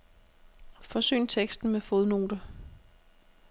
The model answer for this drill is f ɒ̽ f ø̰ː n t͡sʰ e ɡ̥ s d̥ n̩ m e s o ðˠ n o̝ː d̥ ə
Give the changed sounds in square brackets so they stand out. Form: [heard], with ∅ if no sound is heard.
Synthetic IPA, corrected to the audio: f ɒ̽ [s] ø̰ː n t͡sʰ e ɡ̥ s d̥ n̩ m e [f] o ðˠ n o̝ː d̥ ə